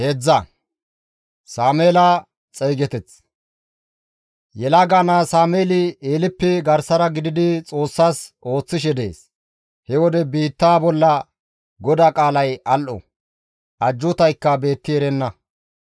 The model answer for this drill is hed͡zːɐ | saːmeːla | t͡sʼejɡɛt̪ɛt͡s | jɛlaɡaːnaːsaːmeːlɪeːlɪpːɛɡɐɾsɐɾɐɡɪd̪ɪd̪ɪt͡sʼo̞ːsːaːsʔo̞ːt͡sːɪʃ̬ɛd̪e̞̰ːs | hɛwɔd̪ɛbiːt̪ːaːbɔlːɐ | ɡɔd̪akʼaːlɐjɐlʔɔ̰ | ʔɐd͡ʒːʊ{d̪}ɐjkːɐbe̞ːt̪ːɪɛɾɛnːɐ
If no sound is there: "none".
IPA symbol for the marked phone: t̪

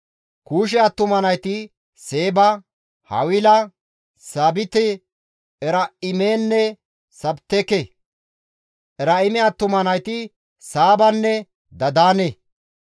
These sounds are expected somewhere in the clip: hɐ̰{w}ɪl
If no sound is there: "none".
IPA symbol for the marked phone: w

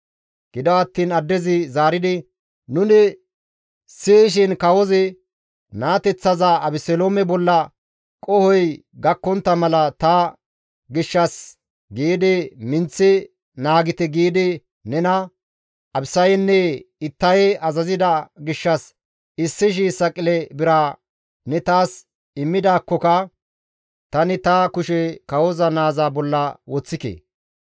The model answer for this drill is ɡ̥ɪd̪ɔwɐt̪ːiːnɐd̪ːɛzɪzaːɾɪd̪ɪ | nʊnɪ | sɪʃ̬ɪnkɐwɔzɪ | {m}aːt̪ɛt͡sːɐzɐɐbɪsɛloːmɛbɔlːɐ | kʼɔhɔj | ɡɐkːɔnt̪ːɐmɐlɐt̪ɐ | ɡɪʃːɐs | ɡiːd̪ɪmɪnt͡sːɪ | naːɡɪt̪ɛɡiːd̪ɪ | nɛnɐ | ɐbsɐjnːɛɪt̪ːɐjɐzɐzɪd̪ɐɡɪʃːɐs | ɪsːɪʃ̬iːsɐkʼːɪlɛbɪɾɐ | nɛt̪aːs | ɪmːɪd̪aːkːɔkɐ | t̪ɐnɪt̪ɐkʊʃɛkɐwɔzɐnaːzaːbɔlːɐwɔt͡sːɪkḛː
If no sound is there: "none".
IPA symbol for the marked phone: n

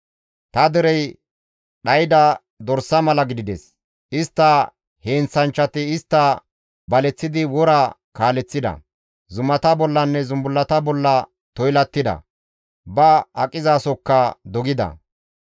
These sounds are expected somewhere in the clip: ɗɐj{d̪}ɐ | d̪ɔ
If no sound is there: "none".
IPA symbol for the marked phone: d̪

